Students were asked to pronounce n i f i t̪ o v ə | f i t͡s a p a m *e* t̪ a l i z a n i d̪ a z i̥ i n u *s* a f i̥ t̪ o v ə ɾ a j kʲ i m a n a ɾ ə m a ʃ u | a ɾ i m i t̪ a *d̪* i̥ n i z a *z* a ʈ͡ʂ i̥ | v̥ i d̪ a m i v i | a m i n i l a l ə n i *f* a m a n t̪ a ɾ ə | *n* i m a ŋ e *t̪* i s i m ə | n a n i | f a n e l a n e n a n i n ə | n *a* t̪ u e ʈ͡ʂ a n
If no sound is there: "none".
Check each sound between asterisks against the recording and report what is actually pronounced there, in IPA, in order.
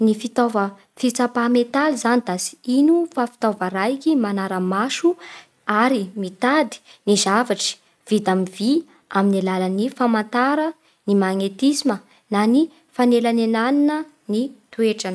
e, f, d̪, v, f, n, t̪, i

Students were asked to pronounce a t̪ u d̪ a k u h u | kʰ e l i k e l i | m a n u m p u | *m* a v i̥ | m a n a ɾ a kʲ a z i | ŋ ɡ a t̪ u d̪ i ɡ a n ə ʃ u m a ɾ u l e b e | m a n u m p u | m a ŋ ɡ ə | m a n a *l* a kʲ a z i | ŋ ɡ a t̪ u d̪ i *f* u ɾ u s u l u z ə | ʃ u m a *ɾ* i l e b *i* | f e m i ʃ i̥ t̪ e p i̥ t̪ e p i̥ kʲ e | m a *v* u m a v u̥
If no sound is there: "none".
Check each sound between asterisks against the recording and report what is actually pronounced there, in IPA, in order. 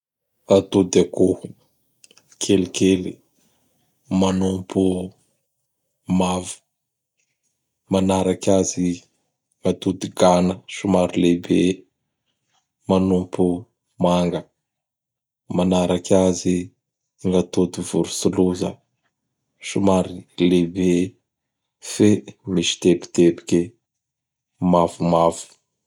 m, ɾ, v, ɾ, e, v

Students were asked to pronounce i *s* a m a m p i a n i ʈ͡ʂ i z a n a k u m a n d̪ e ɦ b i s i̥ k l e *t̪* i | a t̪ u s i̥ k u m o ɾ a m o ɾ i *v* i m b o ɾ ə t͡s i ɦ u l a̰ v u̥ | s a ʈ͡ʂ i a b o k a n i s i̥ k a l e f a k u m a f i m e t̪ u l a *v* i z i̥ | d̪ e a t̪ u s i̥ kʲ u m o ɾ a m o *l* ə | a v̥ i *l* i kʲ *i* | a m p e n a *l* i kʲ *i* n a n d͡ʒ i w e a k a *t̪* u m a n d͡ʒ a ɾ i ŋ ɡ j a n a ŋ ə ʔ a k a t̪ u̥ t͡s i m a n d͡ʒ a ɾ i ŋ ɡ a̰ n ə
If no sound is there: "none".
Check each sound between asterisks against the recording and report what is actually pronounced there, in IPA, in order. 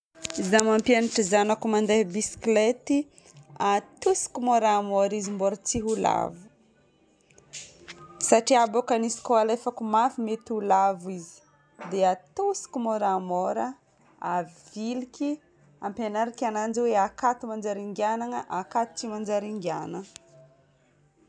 z, t̪, z, v, ɾ, l, i, ɾ, a, t̪

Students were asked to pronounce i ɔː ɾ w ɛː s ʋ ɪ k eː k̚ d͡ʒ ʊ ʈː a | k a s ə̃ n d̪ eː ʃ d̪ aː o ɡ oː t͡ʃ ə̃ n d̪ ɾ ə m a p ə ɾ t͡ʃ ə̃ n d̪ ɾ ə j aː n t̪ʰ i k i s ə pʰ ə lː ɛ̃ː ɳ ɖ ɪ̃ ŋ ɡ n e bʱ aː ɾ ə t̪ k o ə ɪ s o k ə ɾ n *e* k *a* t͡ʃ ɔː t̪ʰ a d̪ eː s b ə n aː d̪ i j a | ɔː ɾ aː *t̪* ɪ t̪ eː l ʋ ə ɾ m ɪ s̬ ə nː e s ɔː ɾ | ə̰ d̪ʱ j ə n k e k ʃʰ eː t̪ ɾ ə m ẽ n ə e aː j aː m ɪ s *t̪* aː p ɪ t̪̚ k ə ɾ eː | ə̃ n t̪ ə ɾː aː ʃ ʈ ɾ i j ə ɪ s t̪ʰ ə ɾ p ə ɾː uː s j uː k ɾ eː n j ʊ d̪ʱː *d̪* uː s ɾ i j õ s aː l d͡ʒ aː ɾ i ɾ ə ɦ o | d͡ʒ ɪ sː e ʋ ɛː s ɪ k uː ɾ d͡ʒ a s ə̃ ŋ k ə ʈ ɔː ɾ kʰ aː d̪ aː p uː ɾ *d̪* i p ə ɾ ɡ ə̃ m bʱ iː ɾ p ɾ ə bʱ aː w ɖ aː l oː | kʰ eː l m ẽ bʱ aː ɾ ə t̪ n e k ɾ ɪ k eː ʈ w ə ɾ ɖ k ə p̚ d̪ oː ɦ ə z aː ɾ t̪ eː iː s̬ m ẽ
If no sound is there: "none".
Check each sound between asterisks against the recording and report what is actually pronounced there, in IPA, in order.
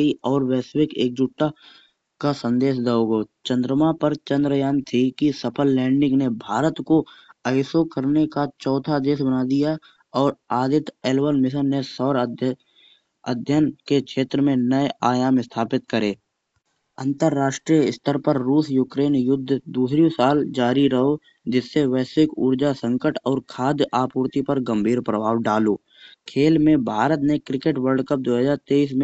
e, a, d̪, t̪ʰ, d̪, t̪

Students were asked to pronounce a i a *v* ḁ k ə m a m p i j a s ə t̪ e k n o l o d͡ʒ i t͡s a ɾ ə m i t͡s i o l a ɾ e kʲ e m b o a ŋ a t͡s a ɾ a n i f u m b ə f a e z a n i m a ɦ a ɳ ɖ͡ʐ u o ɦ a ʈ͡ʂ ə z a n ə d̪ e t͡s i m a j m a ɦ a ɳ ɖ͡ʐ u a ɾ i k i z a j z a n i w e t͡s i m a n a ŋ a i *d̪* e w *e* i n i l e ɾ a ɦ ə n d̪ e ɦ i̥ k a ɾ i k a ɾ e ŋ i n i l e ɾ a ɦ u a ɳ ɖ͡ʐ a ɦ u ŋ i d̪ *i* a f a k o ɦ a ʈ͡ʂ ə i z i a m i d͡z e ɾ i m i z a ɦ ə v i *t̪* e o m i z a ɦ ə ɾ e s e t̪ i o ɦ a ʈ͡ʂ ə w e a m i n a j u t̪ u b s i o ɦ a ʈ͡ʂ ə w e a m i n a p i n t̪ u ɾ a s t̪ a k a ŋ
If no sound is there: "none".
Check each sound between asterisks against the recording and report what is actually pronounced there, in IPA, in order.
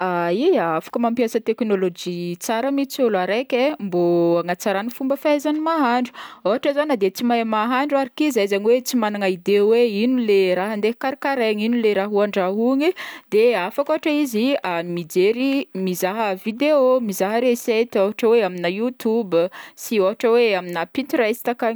f, d̪, e, e, d̪

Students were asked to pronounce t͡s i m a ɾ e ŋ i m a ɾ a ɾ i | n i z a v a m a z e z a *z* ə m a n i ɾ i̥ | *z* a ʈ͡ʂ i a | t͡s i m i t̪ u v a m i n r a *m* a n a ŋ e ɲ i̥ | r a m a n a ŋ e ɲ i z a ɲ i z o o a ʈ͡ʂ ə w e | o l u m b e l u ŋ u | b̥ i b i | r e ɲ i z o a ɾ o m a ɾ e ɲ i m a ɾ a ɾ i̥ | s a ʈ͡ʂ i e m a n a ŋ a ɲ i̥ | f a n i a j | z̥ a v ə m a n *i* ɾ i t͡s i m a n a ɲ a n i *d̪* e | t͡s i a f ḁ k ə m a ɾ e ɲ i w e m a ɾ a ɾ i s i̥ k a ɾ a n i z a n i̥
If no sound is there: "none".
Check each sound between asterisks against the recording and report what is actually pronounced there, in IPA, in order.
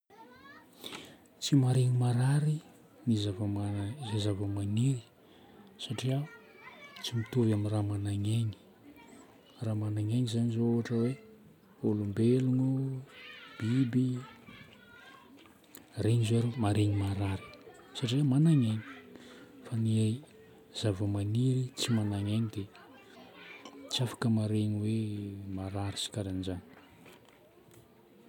v, s, m, i, d̪

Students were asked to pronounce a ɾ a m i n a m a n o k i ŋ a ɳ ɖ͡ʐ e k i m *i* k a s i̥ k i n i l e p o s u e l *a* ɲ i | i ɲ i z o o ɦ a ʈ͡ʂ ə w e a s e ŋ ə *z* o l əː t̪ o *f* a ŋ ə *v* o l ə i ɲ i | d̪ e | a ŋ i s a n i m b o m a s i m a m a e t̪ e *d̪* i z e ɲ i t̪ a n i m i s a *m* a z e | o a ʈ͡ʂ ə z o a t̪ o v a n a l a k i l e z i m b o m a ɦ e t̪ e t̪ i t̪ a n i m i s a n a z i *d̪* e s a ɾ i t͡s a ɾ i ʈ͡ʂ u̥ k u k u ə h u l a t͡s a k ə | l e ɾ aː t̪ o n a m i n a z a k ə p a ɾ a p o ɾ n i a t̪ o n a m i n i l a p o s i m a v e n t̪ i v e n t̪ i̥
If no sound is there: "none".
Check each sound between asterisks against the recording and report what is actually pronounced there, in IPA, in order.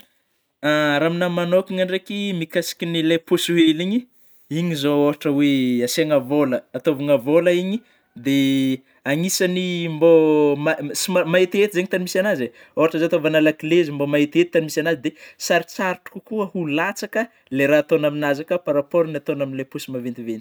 i, i, v, v, v, t̪, n, d̪

